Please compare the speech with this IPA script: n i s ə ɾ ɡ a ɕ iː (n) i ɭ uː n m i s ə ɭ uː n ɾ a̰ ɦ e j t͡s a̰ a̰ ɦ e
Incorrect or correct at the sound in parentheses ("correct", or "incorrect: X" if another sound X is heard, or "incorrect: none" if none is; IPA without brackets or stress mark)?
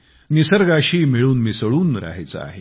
incorrect: m